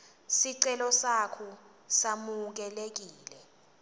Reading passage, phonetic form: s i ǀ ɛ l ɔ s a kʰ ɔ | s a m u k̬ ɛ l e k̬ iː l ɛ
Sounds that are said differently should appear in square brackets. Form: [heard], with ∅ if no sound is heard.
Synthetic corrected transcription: s i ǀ ɛ l ɔ s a kʰ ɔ | s a m u k̬ ɛ l e k̬ iː l ɛ